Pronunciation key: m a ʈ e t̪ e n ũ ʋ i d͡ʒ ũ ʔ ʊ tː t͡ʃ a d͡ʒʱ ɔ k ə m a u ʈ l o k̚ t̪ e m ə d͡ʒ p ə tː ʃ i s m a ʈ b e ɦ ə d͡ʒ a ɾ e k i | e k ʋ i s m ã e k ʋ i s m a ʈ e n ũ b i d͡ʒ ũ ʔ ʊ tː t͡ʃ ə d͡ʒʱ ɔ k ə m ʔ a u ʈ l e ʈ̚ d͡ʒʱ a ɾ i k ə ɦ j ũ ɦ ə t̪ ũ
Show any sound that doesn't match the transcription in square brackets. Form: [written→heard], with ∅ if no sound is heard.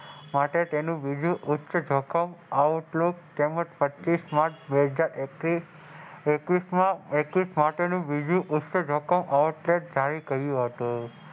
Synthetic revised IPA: m a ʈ e t̪ e n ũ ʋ i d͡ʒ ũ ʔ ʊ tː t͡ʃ [a→ə] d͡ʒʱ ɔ k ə m a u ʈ l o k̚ t̪ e m ə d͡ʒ p ə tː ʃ i s m a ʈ b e ɦ ə d͡ʒ a ɾ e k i | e k ʋ i s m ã e k ʋ i s m a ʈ e n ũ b i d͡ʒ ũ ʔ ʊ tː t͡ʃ ə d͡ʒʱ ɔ k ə m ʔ a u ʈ l e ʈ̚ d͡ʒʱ a ɾ i k ə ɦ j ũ ɦ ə t̪ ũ